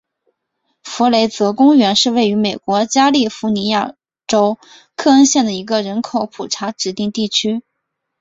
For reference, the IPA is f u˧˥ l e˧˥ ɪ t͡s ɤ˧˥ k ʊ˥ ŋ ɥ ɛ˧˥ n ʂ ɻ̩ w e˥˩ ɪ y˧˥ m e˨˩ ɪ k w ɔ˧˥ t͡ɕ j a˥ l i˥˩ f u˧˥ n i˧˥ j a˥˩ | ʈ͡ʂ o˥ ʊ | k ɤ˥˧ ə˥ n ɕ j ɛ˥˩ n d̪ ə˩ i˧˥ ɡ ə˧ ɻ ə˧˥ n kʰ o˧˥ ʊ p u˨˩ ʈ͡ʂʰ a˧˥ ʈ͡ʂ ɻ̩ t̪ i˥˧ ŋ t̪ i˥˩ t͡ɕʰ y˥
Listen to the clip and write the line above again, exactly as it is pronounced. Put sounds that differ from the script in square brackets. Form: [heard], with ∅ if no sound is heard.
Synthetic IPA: f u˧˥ l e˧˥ ɪ t͡s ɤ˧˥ k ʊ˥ ŋ ɥ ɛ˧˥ n ʂ ɻ̩ w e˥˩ ɪ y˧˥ m e˨˩ ɪ k w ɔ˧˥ t͡ɕ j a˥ l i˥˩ f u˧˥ n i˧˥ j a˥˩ | ʈ͡ʂ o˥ ʊ | [kʰ] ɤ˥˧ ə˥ n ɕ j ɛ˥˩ n d̪ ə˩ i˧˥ ɡ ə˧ ɻ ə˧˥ n kʰ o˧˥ ʊ [pʰ] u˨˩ ʈ͡ʂʰ a˧˥ ʈ͡ʂ ɻ̩ t̪ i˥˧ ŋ t̪ i˥˩ t͡ɕʰ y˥